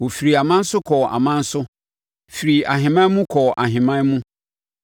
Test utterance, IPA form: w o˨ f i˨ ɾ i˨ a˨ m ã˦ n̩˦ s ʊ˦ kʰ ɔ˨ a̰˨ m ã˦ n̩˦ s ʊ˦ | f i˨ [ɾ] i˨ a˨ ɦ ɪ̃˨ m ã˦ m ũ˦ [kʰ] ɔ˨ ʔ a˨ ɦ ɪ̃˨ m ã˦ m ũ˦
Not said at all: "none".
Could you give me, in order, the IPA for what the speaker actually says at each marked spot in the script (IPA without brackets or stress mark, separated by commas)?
ɾ, kʰ